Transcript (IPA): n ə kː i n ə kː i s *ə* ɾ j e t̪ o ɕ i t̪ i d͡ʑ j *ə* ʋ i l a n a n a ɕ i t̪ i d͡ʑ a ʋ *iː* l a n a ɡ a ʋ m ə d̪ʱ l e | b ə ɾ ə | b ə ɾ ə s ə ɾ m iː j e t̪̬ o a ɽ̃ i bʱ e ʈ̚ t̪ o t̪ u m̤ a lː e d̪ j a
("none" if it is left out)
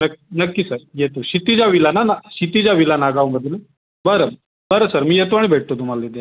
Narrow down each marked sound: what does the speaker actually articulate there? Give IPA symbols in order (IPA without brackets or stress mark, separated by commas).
ə, a, i